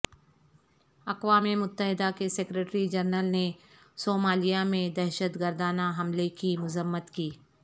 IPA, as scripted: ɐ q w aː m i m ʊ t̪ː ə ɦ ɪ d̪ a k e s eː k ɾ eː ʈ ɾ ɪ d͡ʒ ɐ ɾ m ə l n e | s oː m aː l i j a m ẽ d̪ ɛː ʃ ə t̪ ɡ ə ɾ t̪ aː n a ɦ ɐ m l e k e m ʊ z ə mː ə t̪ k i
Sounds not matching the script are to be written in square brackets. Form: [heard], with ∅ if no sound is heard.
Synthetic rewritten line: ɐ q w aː m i m ʊ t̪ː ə ɦ ɪ d̪ a k e s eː k ɾ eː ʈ ɾ [i] d͡ʒ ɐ ɾ [n] ə l n e | s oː m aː l i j a m ẽ d̪ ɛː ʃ ə t̪ ɡ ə ɾ [d̪] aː n a ɦ ɐ m l e k [i] m ʊ z ə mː ə t̪ k [iː]